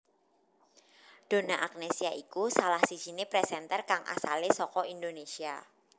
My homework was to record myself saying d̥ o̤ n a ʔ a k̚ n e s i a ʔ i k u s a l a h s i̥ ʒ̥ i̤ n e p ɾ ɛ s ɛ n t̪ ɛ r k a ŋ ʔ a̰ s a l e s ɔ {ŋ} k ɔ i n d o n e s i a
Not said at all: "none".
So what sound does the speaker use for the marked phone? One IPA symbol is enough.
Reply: none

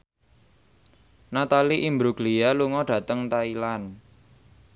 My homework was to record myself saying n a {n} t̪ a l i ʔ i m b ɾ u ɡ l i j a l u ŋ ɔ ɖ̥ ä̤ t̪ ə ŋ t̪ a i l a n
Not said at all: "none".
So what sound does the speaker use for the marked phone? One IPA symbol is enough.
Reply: none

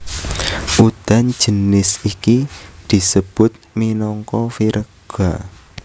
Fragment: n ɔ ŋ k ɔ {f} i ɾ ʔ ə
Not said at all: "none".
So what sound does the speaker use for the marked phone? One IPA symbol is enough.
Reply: f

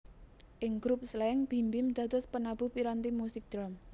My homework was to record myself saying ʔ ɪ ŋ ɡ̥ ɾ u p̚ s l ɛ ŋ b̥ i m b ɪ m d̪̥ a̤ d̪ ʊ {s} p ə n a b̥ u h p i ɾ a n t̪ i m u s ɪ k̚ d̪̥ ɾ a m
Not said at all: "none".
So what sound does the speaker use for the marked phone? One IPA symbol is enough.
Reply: s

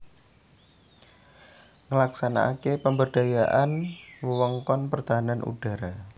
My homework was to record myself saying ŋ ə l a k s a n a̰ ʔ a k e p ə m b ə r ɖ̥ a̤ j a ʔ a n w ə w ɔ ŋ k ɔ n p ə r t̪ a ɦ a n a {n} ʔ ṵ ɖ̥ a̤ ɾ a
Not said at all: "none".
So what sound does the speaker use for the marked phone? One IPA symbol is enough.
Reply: n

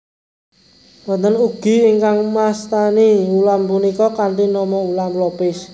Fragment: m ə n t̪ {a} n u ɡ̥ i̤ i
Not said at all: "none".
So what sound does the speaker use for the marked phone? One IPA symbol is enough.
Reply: ə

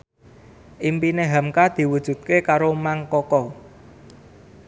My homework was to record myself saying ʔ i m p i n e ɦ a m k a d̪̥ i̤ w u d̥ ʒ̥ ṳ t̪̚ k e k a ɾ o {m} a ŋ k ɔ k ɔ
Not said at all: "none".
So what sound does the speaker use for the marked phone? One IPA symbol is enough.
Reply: m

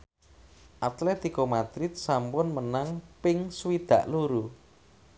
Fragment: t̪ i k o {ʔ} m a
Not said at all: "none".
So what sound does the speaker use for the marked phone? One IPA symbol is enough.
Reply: none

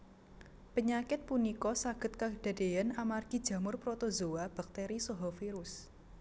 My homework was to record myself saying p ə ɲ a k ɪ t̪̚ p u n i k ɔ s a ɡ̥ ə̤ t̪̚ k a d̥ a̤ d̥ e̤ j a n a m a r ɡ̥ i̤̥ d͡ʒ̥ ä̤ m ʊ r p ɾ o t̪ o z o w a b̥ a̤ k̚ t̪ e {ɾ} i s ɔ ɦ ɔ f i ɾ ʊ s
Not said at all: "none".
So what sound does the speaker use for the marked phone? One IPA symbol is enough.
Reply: ɾ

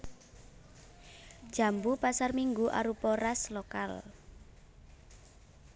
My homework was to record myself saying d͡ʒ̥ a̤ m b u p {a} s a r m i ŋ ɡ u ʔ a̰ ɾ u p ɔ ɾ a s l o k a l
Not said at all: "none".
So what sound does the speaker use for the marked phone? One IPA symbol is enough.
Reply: a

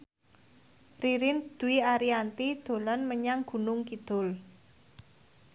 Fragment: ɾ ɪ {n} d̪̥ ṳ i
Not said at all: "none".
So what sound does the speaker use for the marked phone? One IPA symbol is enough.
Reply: n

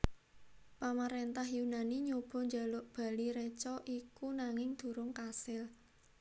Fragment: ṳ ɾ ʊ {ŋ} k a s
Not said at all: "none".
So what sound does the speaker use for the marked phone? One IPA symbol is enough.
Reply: ŋ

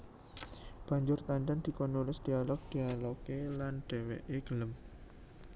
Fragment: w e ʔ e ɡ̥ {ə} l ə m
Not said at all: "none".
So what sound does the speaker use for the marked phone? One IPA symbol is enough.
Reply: ə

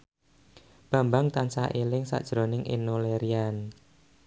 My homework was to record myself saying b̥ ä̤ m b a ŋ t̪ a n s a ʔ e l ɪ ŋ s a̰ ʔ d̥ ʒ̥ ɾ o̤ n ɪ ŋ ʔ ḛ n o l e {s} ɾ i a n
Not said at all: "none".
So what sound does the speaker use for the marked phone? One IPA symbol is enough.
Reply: none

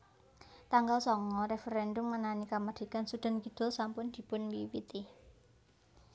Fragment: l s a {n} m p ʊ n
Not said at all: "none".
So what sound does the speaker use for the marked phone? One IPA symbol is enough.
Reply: none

